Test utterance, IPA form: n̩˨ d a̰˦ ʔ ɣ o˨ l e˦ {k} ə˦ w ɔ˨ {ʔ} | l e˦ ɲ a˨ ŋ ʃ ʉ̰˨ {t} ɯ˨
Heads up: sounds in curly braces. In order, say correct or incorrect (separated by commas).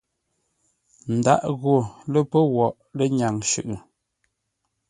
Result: incorrect, correct, incorrect